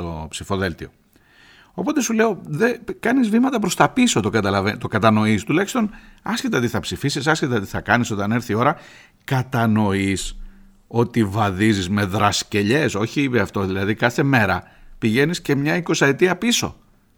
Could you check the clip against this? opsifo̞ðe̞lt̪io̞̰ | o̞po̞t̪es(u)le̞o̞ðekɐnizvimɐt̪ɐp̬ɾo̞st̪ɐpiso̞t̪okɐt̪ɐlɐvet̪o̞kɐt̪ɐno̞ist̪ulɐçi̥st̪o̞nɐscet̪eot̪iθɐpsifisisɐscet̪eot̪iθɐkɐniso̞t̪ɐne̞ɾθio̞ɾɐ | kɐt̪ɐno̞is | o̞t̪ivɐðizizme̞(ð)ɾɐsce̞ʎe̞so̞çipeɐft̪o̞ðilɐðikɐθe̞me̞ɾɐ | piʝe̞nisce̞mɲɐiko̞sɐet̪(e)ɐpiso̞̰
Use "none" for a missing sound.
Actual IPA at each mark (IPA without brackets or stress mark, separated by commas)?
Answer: u, ð, i